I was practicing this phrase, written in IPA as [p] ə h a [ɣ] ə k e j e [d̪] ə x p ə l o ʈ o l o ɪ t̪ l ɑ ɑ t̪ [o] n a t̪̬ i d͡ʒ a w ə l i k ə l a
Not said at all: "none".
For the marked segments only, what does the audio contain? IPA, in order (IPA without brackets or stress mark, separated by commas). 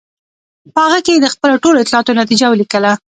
p, ɣ, d̪, o